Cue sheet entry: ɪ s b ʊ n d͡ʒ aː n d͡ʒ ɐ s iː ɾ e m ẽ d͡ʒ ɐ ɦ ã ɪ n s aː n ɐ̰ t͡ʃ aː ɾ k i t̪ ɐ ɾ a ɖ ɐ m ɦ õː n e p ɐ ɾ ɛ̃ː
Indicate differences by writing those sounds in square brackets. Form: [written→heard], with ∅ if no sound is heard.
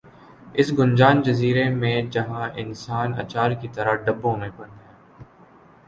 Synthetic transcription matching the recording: ɪ s [b→ɡ] ʊ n d͡ʒ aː n d͡ʒ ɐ [s→z] iː ɾ e m ẽ d͡ʒ ɐ ɦ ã ɪ n s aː n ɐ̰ t͡ʃ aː ɾ k i t̪ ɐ ɾ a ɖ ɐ [m→b] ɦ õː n e p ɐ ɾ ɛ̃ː